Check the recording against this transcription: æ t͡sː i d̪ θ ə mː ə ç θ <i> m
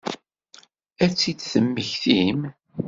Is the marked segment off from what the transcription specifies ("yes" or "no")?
no